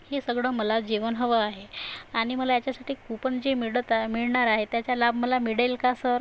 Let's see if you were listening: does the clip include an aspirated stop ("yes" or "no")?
no